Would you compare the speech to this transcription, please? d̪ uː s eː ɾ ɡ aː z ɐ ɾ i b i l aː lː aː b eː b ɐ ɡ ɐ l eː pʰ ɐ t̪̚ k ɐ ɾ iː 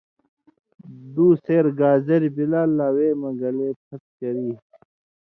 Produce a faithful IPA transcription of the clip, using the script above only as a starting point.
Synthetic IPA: d̪ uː s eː ɾ ɡ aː z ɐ ɾ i b i l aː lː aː w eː m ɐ ɡ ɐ l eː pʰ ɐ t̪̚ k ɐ ɾ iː